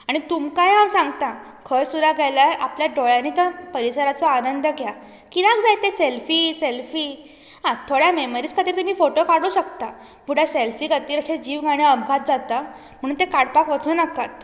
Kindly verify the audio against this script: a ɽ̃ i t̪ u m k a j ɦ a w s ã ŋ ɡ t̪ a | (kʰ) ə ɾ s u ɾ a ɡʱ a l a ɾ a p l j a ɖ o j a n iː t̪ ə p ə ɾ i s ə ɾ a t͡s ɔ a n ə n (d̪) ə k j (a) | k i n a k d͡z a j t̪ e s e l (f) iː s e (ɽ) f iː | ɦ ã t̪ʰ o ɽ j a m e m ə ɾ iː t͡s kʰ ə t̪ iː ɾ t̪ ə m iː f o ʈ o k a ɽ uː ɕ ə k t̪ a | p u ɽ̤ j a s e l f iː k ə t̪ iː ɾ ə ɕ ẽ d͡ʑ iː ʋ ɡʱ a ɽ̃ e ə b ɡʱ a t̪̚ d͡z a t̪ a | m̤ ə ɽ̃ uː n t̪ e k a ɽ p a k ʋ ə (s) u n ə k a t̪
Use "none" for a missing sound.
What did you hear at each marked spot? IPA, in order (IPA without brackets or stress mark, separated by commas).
kʰ, d̪, a, f, l, t͡s